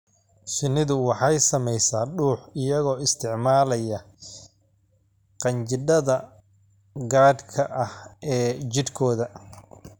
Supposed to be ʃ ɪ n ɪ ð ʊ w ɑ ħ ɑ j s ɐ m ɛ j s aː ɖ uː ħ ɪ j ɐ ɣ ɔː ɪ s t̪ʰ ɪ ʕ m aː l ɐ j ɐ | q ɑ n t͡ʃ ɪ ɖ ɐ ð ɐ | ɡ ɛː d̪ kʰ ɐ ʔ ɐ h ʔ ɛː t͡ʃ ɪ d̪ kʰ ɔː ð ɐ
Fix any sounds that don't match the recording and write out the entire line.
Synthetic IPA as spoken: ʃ ɪ n ɪ ð ʊ w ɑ ħ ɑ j s ɐ m ɛ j s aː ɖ uː ħ ɪ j ɐ ɣ ɔː ɪ s t̪ʰ ɪ ʕ m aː l ɐ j ɐ | q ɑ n t͡ʃ ɪ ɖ ɐ ð ɐ | ɡ aː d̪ kʰ ɐ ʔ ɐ h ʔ ɛː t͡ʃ ɪ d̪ kʰ ɔː ð ɐ

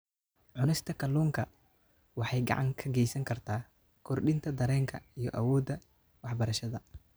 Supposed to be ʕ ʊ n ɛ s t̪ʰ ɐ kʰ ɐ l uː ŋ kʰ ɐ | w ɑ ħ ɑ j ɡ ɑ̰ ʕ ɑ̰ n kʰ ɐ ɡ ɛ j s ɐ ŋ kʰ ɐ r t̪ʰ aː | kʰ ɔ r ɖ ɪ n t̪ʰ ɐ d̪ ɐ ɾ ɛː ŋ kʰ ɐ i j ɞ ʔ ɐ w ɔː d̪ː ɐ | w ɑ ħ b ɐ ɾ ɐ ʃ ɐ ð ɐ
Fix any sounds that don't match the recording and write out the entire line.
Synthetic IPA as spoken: ʕ ʊ n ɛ s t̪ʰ ɐ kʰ ɐ l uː ŋ kʰ ɐ | w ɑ ħ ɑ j ɡ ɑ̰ ʕ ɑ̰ ŋ kʰ ɐ ɡ ɛ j s ɐ ŋ kʰ ɐ r t̪ʰ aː | kʰ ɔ r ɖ ɪ n t̪ʰ ɐ d̪ ɐ ɾ ɛː ŋ kʰ ɐ i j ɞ ʔ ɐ w ɔː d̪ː ɐ | w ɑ ħ b ɐ ɾ ɐ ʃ ɐ ð ɐ

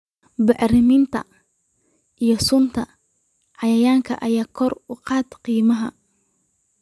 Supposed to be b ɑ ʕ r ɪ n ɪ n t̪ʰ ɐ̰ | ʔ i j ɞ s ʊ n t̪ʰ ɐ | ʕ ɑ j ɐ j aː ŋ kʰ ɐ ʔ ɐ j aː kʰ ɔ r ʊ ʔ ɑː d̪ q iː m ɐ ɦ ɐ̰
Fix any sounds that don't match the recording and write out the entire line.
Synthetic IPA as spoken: b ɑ ʕ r ɪ m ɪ n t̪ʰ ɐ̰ | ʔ i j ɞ s ʊ n t̪ʰ ɐ | ʕ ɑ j ɐ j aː ŋ kʰ ɐ ʔ ɐ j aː kʰ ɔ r ʊ q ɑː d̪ q iː m ɐ ɦ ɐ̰

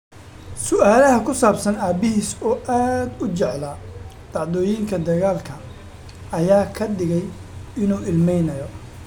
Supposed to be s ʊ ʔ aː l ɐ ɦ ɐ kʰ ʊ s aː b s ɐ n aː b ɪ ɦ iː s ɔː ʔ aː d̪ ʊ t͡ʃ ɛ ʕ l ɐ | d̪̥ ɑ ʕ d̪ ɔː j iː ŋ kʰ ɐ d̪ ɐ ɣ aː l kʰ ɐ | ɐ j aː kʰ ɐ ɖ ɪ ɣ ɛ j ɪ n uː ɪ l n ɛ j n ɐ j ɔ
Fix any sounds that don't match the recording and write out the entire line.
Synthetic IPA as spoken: s ʊ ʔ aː l ɐ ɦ ɐ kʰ ʊ s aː b s ɐ n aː b ɪ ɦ iː s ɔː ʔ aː d̪ ʊ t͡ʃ ɛ ʕ l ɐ | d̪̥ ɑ ʕ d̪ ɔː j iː ŋ kʰ ɐ d̪ ɐ ɣ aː l kʰ ɐ | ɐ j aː kʰ ɐ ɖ ɪ ɣ ɛ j ɪ n uː ɪ l m ɛ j n ɐ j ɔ

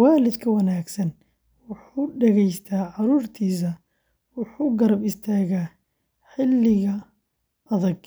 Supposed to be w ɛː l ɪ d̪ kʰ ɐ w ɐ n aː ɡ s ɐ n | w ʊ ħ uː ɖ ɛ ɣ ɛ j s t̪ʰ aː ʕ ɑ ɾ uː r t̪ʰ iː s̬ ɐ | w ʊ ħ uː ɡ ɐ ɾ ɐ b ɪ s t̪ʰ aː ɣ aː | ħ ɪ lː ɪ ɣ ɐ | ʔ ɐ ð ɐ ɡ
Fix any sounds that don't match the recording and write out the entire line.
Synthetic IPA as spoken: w aː l ɪ d̪ kʰ ɐ w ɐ n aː ɡ s ɐ n | w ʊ ħ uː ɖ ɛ ɣ ɛ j s t̪ʰ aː ʕ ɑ ɾ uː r t̪ʰ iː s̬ ɐ | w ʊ ħ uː ɡ ɐ ɾ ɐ b ɪ s t̪ʰ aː ɣ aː | ħ ɪ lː ɪ ɣ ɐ | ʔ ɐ ð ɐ ɡ

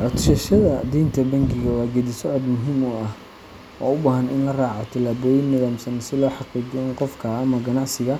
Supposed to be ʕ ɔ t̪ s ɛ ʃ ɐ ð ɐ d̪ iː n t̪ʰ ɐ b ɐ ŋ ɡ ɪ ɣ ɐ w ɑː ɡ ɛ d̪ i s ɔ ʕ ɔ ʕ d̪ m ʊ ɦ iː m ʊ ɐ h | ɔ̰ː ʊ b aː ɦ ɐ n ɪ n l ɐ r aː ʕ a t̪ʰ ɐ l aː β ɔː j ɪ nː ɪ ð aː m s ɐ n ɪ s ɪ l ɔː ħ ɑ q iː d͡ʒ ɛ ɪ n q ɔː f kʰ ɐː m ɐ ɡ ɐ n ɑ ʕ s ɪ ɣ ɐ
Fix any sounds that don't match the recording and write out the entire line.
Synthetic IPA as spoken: ʕ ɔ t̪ ʃ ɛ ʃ ɐ ð ɐ d̪ iː n t̪ʰ ɐ b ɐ ŋ ɡ ɪ ɣ ɐ w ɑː ɡ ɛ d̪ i s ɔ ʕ ɔ d̪ m ʊ ɦ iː m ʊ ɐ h | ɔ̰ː ʊ b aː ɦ ɐ n ɪ n l ɐ r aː ʕ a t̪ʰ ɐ l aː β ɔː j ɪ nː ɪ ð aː m s ɐ n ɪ s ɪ l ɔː ħ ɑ q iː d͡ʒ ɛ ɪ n q ɔ f kʰ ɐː m ɐ ɡ ɐ n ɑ ʕ s ɪ ɣ ɐ

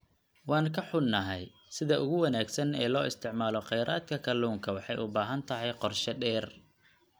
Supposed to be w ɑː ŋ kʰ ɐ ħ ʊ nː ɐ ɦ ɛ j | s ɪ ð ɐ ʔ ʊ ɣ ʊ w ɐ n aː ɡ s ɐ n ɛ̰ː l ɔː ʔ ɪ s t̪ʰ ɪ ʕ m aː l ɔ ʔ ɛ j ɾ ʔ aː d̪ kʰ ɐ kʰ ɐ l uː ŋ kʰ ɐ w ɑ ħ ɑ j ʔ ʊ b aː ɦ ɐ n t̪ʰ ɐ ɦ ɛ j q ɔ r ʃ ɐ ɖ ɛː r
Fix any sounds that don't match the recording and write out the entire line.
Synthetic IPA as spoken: w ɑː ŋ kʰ ɐ ħ ʊ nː ɐ ɦ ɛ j | s ɪ ð ɐ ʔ ʊ ɣ ʊ w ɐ n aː ɡ s ɐ n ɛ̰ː l ɔː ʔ ɪ s t̪ʰ ɪ ʕ m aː l ɔ q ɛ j ɾ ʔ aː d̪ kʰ ɐ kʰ ɐ l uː ŋ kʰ ɐ w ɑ ħ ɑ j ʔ ʊ b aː ɦ ɐ n t̪ʰ ɐ ɦ ɛ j q ɔ r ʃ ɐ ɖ ɛː r

